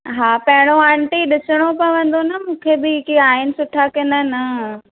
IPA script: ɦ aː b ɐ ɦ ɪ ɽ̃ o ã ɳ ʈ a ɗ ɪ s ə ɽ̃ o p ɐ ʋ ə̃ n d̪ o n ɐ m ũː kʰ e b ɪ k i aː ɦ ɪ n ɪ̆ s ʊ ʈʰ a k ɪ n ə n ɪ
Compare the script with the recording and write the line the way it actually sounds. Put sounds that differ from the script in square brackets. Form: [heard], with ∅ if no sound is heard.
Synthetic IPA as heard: ɦ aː [p] ɐ ɦ ɪ ɽ̃ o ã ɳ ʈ [i] ɗ ɪ s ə ɽ̃ o p ɐ ʋ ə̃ n d̪ o n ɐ m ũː kʰ e b ɪ k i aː ɦ ɪ n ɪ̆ s ʊ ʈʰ a k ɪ n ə n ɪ

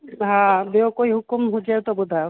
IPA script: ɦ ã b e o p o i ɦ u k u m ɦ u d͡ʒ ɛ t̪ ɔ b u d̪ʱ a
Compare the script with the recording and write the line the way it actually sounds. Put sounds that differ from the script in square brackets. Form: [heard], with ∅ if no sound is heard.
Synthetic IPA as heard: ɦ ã b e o [k] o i ɦ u k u m ɦ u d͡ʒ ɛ t̪ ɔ b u d̪ʱ a

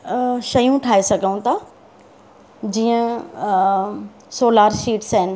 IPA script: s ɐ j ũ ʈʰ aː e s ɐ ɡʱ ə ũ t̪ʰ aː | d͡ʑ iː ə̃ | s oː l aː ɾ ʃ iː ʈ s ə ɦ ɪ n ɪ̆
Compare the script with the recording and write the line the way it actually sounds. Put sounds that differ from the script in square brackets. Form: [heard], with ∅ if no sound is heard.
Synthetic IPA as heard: [ʃ] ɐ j ũ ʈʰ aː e s ɐ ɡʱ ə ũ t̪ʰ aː | d͡ʑ iː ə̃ | s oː l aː ɾ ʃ iː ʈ s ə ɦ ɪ n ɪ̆

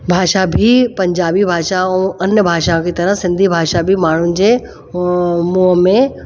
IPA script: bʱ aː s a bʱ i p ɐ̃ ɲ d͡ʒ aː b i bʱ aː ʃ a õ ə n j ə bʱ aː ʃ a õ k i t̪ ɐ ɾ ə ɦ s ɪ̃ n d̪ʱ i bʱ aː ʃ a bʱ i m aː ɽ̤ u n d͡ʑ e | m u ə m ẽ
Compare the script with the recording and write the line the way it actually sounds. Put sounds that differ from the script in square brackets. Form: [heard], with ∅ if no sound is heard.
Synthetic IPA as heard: bʱ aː [ʃ] a bʱ i p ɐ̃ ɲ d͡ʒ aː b i bʱ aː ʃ a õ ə n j ə bʱ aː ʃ a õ k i t̪ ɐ ɾ ə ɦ s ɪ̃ n d̪ʱ i bʱ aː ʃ a bʱ i m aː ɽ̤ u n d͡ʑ e | m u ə m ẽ

